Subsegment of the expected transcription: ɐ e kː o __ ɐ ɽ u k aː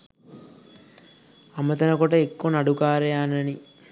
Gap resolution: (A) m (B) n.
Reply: B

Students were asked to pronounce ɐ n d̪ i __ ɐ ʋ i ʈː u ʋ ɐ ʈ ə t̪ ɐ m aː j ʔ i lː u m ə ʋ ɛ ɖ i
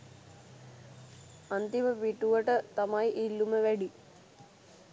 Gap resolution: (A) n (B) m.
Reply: B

